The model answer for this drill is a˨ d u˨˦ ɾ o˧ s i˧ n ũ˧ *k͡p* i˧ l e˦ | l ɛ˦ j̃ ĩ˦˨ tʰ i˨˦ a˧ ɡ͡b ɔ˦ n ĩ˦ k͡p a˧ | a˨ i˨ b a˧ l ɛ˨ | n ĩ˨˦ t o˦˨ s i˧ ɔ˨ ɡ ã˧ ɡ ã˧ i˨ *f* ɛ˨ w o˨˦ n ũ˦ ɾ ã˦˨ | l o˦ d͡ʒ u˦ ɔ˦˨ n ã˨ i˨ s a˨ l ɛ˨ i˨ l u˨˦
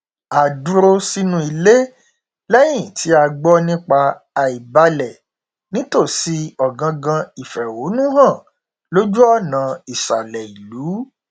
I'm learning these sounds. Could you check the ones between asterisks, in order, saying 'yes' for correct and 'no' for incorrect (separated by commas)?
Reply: no, yes